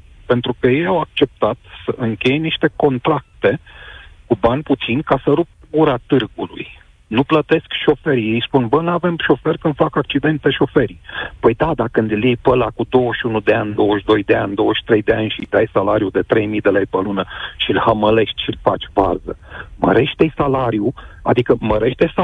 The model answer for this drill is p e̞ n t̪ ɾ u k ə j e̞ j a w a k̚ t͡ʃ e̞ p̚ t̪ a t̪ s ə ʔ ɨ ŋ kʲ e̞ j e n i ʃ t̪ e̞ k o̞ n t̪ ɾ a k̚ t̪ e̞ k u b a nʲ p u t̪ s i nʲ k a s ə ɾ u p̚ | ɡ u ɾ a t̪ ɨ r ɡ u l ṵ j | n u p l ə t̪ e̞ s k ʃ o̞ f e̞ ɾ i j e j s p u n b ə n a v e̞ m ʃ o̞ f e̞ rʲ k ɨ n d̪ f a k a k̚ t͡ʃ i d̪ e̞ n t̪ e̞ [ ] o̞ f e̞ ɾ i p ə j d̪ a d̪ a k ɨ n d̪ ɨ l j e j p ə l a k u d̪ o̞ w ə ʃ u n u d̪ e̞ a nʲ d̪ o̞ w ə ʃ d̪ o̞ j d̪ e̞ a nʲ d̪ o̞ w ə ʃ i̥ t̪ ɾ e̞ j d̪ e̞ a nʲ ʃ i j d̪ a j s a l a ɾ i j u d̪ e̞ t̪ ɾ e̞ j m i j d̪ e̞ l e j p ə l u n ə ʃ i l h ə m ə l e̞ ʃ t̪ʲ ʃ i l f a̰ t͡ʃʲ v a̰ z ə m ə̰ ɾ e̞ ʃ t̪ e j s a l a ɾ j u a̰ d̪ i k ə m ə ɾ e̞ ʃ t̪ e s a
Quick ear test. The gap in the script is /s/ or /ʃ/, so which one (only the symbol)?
ʃ